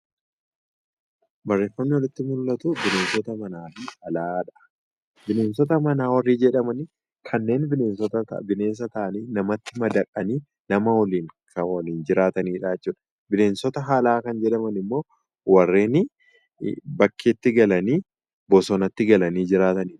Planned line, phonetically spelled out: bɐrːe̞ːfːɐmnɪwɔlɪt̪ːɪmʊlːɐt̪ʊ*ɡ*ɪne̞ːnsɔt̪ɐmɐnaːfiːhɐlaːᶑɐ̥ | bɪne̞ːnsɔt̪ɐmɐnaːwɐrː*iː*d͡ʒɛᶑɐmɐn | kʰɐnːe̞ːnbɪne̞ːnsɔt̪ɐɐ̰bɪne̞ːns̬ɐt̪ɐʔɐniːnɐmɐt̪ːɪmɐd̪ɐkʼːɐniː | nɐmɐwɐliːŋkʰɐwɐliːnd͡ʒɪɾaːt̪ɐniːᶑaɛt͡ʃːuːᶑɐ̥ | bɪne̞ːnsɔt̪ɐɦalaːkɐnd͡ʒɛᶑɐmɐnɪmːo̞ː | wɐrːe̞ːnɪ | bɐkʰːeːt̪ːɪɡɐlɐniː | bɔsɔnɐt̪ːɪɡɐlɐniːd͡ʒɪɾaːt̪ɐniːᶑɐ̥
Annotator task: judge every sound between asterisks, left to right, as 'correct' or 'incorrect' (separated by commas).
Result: incorrect, correct